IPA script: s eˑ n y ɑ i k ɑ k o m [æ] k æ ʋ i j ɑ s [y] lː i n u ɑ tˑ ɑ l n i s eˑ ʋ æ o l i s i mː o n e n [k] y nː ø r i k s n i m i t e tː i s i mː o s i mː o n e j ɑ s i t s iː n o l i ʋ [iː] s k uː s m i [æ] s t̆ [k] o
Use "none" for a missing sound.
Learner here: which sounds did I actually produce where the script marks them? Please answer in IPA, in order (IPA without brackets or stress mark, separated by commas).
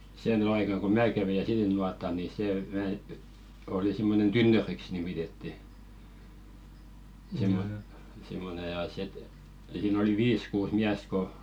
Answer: æː, i, t, iː, æ, k